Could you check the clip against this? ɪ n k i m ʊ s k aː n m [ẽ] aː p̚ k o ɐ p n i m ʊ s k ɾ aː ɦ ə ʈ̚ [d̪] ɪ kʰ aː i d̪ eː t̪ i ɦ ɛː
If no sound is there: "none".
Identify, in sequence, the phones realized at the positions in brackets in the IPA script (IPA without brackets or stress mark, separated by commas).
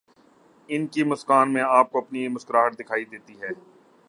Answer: ẽ, d̪